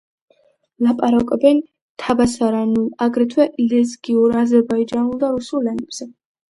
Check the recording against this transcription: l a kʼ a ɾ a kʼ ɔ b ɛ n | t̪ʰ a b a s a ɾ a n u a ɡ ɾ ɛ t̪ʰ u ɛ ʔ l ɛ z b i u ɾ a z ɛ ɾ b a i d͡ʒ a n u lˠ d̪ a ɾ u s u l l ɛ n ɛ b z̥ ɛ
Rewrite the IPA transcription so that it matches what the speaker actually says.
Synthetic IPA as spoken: l a pʼ a ɾ a kʼ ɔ b ɛ n | t̪ʰ a b a s a ɾ a n u a ɡ ɾ ɛ t̪ʰ w ɛ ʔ l ɛ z ɡ i u ɾ a z ɛ ɾ b a i d͡ʒ a n u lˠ d̪ a ɾ u s u l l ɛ n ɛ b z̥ ɛ